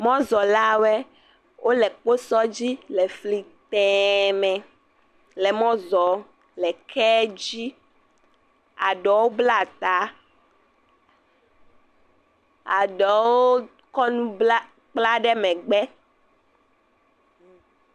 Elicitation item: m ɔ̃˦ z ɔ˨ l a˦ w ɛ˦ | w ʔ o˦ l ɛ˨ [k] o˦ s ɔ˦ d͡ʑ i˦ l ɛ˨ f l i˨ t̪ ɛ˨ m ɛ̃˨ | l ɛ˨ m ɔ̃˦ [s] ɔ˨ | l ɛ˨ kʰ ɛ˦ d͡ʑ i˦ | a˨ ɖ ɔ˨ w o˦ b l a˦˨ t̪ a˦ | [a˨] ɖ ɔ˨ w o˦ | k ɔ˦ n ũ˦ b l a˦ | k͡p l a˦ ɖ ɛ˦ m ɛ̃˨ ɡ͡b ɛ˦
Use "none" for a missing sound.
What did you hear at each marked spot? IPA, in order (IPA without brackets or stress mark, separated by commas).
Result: k͡p, z, a˨